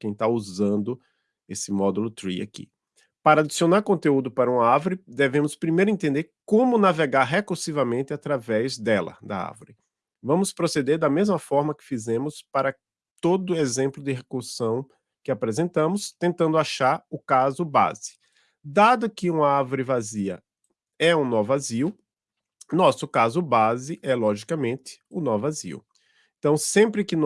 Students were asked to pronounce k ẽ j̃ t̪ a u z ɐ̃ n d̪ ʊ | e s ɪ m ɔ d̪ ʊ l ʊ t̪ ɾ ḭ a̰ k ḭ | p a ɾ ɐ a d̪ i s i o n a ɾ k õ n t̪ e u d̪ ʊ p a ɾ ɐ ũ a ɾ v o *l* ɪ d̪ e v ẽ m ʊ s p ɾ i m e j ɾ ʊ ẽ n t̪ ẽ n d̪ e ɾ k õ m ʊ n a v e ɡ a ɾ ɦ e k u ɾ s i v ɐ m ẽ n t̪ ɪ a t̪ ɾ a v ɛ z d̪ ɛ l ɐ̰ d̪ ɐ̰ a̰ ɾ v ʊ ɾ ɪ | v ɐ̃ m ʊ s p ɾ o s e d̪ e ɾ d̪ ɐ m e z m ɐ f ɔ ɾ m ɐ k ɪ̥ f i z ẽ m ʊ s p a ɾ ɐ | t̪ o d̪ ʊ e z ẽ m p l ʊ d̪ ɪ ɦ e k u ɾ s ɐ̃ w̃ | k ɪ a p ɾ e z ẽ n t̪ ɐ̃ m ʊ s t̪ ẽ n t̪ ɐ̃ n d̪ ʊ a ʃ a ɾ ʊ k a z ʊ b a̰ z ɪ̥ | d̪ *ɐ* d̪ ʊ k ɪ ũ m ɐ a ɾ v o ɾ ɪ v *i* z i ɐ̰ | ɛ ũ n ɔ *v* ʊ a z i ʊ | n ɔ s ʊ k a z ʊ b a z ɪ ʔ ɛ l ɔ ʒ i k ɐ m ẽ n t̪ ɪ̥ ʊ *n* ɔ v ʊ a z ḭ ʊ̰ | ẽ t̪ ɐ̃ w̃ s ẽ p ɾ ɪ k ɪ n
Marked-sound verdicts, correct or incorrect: incorrect: ɾ, incorrect: a, incorrect: a, correct, correct

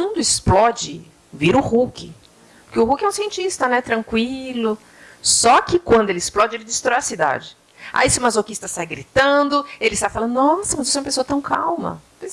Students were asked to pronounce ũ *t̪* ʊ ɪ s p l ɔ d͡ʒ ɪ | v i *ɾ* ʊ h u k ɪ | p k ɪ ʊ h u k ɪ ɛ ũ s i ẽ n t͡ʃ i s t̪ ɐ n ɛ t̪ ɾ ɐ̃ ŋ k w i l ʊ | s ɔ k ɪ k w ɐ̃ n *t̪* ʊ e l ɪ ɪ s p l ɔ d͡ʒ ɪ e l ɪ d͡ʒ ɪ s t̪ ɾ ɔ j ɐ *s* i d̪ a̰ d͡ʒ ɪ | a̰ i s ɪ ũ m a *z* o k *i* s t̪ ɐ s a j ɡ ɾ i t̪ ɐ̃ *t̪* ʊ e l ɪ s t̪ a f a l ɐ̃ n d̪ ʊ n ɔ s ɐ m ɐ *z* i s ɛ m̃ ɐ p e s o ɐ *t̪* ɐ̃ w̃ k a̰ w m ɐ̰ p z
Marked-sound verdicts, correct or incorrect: incorrect: d̪, correct, incorrect: d̪, correct, correct, correct, incorrect: d̪, correct, correct

